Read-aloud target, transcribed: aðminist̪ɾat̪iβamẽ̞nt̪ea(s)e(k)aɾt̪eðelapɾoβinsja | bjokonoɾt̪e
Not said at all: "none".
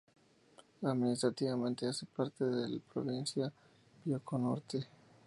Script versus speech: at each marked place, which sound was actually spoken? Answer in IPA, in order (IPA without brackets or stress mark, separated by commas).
s, p